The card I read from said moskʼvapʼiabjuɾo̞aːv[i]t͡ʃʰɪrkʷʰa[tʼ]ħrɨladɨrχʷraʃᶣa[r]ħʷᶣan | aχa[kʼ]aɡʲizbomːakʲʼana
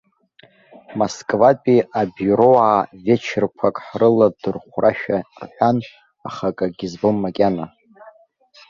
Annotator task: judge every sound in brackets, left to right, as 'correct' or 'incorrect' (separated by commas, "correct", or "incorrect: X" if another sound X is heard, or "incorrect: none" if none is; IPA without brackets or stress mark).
incorrect: e, incorrect: kʼ, correct, correct